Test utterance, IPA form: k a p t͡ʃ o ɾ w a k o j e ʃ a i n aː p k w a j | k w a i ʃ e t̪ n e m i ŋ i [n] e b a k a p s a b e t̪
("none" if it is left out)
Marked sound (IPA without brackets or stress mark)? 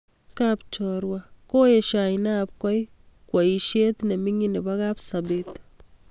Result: n